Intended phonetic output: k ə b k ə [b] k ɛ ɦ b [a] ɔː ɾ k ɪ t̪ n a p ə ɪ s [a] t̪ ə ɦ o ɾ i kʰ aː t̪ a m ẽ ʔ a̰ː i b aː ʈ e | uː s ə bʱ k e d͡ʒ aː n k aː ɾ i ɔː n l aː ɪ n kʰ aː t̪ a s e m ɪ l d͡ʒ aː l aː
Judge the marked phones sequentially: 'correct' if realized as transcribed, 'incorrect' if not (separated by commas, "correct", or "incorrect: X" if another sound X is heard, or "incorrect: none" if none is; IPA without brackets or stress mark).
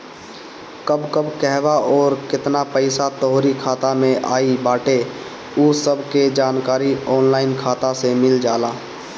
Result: correct, correct, correct